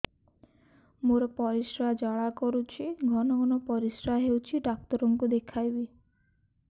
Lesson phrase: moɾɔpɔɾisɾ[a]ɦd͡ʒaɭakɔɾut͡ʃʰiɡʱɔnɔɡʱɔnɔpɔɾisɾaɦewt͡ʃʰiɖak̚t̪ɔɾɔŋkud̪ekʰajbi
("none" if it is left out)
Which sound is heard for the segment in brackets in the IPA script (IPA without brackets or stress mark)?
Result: a